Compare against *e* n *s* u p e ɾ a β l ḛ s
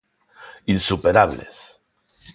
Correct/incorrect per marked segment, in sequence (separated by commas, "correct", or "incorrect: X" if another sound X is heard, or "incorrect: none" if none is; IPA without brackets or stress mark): incorrect: i, correct